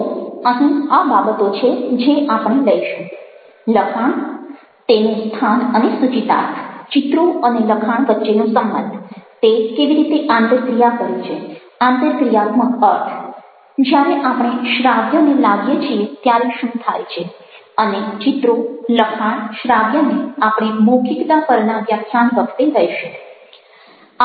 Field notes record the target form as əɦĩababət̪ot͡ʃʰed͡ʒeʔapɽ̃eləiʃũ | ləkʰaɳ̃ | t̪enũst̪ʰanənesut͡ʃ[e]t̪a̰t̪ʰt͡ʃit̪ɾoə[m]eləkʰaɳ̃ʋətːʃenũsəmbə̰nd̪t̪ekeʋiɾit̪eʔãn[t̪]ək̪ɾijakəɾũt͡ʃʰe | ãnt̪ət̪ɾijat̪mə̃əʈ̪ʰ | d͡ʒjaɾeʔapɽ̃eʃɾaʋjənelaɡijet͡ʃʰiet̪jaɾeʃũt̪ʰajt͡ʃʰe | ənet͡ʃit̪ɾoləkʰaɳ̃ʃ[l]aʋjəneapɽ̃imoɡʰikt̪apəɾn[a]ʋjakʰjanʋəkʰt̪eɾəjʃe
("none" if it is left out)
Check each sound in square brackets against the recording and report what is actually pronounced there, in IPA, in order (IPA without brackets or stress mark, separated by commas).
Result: i, n, t̪, ɾ, a